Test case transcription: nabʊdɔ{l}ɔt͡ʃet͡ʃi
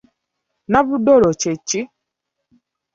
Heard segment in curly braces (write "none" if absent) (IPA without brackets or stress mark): ɾ